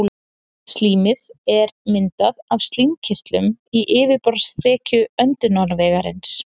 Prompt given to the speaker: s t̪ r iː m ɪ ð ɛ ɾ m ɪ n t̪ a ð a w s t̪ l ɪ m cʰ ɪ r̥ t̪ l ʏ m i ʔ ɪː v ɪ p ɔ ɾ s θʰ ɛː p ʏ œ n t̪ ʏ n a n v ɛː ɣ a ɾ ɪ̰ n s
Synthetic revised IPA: s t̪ l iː m ɪ ð ɛ ɾ m ɪ n t̪ a ð a v s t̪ l i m cʰ ɪ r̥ t̪ l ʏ m i ʔ ɪː v ɪ p ɔ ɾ s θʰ ɛː c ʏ œ n t̪ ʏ n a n v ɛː ɣ a ɾ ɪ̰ n s